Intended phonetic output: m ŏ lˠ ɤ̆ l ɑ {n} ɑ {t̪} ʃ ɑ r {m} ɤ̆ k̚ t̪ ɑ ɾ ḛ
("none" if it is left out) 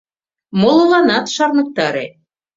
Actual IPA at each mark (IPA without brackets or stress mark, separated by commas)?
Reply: n, t̪, n